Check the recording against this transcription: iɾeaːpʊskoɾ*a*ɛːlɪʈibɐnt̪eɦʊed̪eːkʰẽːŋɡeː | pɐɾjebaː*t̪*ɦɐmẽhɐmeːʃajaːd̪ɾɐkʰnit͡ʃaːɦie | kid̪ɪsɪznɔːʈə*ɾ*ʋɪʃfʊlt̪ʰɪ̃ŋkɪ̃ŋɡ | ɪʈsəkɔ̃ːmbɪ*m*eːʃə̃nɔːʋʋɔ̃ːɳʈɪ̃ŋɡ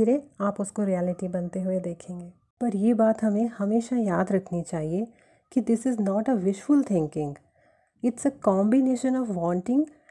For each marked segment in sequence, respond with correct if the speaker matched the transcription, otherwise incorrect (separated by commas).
incorrect, correct, incorrect, incorrect